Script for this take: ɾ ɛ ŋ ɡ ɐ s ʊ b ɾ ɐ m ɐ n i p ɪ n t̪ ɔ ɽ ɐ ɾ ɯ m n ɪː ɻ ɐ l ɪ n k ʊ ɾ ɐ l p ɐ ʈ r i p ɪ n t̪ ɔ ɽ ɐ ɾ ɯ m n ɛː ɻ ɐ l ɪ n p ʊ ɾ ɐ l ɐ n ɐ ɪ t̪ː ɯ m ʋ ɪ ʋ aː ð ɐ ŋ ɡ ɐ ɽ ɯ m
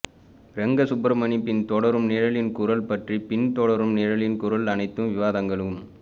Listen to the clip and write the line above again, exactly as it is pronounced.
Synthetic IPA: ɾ ɛ ŋ ɡ ɐ s ʊ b ɾ ɐ m ɐ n i p ɪ n t̪ ɔ ɽ ɐ ɾ ɯ m n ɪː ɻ ɐ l ɪ n k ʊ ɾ ɐ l p ɐ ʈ r i p ɪ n t̪ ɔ ɽ ɐ ɾ ɯ m n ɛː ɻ ɐ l ɪ n k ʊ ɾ ɐ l ɐ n ɐ ɪ t̪ː ɯ m ʋ ɪ ʋ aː ð ɐ ŋ ɡ ɐ ɭ ɯ m

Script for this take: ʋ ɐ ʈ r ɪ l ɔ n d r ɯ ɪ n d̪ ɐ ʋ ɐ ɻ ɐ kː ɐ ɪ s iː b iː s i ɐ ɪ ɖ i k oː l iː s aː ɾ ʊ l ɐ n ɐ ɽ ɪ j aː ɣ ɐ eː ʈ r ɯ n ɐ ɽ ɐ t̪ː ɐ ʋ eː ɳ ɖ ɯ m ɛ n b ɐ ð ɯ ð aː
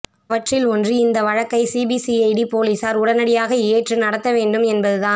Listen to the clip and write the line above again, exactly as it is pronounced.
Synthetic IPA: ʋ ɐ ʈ r ɪ l ɔ n d r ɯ ɪ n d̪ ɐ ʋ ɐ ɻ ɐ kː ɐ ɪ s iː b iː s i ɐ ɪ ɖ i p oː l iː s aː ɾ ʊ ɽ ɐ n ɐ ɽ ɪ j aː ɣ ɐ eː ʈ r ɯ n ɐ ɽ ɐ t̪ː ɐ ʋ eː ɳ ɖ ɯ m ɛ n b ɐ ð ɯ ð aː

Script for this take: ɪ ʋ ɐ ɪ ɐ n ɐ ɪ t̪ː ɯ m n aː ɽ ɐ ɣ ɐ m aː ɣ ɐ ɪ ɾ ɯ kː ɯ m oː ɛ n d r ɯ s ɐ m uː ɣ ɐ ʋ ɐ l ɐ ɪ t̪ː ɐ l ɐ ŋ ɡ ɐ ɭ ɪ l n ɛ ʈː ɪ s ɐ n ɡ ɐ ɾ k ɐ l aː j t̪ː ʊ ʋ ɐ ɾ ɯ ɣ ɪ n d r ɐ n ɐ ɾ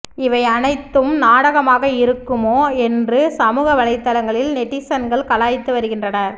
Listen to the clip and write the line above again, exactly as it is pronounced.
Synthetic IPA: ɪ ʋ ɐ ɪ ɐ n ɐ ɪ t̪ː ɯ m n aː ɽ ɐ ɣ ɐ m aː ɣ ɐ ɪ ɾ ɯ kː ɯ m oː ɛ n d r ɯ s ɐ m uː ɣ ɐ ʋ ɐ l ɐ ɪ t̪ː ɐ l ɐ ŋ ɡ ɐ ɭ ɪ l n ɛ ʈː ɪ s ɐ n ɡ ɐ ɭ k ɐ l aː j t̪ː ɯ ʋ ɐ ɾ ɯ ɣ ɪ n d r ɐ n ɐ ɾ

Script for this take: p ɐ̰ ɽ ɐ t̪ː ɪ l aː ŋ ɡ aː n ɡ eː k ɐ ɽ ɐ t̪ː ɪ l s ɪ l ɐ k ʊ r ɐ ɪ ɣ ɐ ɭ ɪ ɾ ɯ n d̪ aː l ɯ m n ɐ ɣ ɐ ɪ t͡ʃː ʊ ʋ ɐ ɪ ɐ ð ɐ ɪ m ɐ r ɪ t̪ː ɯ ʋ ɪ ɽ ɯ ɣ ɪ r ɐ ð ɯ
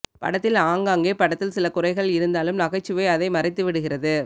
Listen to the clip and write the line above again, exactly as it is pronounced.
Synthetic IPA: p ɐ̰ ɽ ɐ t̪ː ɪ l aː ŋ ɡ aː ŋ ɡ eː p ɐ ɽ ɐ t̪ː ɪ l s ɪ l ɐ k ʊ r ɐ ɪ ɣ ɐ ɭ ɪ ɾ ɯ n d̪ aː l ɯ m n ɐ ɣ ɐ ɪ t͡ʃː ɯ ʋ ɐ ɪ ɐ ð ɐ ɪ m ɐ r ɪ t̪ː ɯ ʋ ɪ ɽ ɯ ɣ ɪ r ɐ ð ɯ

